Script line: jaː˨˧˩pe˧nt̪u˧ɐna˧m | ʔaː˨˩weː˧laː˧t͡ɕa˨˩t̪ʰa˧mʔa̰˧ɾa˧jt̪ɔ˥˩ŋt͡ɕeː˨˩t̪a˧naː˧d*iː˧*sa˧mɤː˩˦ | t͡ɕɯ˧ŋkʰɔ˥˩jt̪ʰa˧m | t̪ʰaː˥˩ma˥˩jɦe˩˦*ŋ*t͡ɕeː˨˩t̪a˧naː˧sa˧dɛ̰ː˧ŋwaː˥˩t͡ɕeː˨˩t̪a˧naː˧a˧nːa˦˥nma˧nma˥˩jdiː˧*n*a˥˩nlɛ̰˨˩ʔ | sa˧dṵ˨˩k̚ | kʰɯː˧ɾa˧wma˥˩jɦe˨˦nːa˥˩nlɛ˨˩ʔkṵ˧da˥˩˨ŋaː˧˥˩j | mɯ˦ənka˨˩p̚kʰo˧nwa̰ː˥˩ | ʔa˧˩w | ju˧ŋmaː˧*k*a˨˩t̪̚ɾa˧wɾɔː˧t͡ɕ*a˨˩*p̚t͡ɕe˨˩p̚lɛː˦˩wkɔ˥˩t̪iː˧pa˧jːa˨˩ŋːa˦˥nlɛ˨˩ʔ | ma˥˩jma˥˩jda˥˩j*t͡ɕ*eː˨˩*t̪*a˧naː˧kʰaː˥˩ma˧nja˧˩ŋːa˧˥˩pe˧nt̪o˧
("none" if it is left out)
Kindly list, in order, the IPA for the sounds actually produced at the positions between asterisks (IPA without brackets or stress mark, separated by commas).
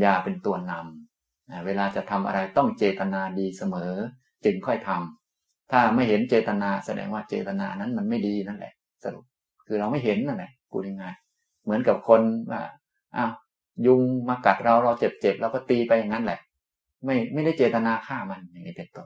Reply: iː˧, n, n, k, e˨˩, t͡ɕ, t̪